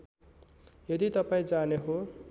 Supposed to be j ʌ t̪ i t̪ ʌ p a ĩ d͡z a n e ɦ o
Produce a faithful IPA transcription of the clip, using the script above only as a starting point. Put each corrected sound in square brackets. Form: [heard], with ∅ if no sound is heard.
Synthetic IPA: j ʌ [d̪] i t̪ ʌ p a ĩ d͡z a n e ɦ o